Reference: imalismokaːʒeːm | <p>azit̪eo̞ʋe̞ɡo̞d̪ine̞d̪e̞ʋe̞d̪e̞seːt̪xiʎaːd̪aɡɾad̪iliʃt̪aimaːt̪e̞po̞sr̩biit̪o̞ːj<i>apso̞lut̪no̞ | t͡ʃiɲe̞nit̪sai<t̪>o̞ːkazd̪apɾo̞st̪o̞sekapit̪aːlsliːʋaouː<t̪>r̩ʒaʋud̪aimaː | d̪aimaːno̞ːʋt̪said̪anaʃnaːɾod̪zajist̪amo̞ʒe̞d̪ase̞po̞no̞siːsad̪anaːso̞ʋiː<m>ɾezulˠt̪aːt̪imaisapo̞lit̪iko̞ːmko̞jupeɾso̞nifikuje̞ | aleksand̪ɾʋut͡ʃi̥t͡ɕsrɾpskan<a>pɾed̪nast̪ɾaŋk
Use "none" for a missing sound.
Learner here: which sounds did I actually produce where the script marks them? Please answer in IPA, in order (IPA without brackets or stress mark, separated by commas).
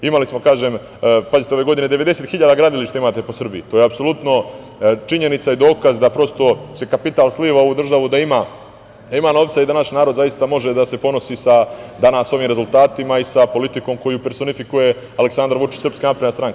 p, e, d̪, d̪, m, a